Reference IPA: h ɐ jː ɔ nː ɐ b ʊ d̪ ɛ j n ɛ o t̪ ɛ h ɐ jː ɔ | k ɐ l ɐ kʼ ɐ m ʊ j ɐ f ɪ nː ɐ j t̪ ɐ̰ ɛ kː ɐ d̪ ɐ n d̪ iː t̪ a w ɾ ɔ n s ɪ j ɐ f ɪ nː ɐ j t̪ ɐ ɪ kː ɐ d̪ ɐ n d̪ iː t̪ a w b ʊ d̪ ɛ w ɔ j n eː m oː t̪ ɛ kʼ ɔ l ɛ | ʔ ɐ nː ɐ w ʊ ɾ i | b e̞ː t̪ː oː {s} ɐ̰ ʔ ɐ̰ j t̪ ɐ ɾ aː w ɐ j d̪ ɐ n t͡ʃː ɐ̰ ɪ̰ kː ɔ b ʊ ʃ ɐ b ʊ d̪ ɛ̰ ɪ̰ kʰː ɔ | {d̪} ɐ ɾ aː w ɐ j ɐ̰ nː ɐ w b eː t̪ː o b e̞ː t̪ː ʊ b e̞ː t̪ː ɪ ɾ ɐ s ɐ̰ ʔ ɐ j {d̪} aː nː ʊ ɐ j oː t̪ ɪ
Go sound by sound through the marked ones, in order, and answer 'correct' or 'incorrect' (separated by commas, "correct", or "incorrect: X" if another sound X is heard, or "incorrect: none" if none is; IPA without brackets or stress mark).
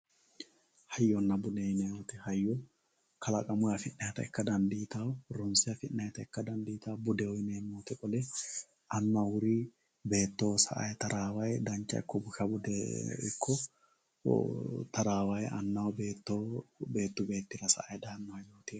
correct, incorrect: t̪, correct